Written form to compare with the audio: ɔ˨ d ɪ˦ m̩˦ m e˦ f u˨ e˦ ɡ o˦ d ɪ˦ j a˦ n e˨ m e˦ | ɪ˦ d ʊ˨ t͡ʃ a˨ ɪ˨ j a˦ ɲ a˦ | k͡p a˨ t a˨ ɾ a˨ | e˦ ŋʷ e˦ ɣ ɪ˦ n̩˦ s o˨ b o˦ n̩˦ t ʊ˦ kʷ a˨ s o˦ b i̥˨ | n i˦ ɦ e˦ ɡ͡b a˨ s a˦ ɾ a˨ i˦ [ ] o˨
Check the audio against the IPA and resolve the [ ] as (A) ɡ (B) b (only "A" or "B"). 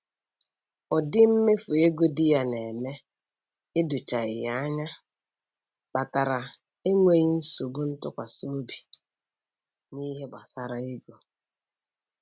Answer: A